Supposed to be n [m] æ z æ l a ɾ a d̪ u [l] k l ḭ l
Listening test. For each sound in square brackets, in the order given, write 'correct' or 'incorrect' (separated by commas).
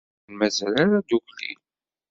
correct, incorrect